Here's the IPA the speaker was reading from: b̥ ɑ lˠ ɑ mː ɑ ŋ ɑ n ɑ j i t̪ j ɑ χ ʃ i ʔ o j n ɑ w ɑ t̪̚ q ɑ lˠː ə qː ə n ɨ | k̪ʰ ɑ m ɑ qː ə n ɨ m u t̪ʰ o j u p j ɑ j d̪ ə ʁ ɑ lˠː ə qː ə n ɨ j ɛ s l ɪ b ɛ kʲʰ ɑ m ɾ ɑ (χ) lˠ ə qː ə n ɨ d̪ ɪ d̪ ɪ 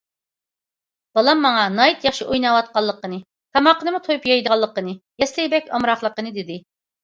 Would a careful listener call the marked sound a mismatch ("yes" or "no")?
no